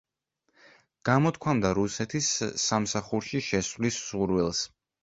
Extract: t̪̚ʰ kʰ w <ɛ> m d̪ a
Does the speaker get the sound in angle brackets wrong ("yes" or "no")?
yes